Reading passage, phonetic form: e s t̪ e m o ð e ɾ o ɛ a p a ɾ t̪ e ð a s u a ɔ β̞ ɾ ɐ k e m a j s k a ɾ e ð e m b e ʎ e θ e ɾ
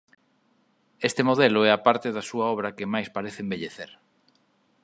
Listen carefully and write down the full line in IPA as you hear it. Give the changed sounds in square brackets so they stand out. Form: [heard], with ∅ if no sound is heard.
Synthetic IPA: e s t̪ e m o ð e [l] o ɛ a p a ɾ t̪ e ð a s u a ɔ β̞ ɾ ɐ k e m a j s [p] a ɾ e [θ] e m b e ʎ e θ e ɾ